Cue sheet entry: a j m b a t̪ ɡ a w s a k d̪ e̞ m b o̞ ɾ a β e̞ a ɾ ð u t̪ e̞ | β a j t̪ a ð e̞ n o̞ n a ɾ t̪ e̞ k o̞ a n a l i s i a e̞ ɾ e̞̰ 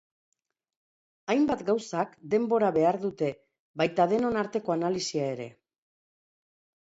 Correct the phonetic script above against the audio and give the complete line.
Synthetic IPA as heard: a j m b a t̪ ɡ a w s a k d̪ e̞ m b o̞ ɾ a β e̞ a ɾ ð u t̪ e̞ | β a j t̪ a ð e̞ n o̞ n a ɾ t̪ e̞ k o̞ a n a l i s i a e̞ ɾ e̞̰